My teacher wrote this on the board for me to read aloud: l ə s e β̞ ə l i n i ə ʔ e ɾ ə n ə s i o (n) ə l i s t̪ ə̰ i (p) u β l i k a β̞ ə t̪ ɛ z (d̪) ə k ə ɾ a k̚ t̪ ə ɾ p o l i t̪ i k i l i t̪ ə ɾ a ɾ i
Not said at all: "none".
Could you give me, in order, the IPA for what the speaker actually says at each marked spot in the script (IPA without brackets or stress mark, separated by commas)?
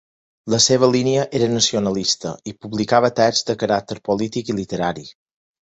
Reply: n, p, d̪